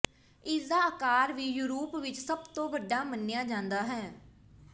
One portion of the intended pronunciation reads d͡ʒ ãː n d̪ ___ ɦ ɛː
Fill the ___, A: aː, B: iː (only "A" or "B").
A